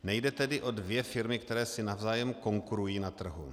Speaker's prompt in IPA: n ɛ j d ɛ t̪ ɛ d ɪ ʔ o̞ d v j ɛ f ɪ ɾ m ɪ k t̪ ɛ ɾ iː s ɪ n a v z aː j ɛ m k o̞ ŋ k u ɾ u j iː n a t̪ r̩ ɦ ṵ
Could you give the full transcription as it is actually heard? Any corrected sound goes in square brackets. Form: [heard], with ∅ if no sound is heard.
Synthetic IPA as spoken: n ɛ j d ɛ t̪ ɛ d ɪ ʔ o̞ d v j ɛ f ɪ ɾ m ɪ k t̪ ɛ ɾ [ɛː] s ɪ n a v z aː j ɛ m k o̞ ŋ k u ɾ u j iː n a t̪ r̩ ɦ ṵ